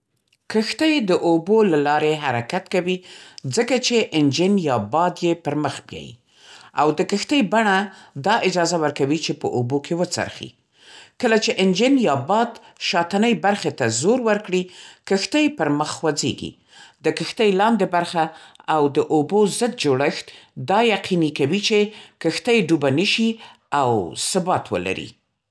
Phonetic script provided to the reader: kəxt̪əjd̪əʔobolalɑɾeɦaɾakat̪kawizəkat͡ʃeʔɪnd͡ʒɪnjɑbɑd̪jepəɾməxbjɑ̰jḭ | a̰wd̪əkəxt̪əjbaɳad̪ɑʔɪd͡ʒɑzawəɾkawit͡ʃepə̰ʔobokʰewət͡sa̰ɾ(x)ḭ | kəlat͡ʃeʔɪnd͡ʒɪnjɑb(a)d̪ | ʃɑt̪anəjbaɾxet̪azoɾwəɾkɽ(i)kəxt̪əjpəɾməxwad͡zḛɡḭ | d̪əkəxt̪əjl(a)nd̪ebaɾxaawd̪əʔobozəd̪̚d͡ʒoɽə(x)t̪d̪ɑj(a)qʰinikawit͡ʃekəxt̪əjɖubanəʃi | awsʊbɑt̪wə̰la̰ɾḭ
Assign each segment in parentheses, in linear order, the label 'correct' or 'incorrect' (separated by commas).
correct, incorrect, correct, incorrect, correct, correct